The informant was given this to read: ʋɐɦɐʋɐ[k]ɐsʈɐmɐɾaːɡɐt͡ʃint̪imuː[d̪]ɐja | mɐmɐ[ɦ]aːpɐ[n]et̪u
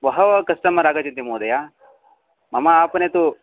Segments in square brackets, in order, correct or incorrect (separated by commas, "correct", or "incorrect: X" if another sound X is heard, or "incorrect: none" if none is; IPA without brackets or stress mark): correct, correct, incorrect: none, correct